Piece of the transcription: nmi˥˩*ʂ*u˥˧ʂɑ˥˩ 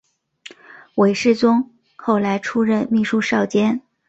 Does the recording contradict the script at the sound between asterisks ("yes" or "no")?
no